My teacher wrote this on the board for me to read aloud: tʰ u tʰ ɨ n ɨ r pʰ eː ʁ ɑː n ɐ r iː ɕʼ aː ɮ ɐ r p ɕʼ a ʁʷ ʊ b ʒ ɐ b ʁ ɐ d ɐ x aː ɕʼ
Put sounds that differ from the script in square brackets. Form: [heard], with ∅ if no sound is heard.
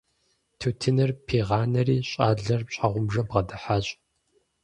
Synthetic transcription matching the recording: tʰ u tʰ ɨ n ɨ r pʰ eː ʁ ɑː n ɐ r iː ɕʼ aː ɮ ɐ r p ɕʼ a ʁʷ ʊ [m] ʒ ɐ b ʁ ɐ d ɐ [ħ] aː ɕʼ